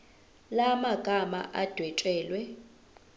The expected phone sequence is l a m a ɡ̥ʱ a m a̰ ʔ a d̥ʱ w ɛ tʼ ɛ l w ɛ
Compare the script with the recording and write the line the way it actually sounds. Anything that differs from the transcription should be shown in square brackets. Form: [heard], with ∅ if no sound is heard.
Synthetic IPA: l a m a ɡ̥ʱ a m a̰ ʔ a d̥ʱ w ɛ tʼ [ɛː] l w ɛ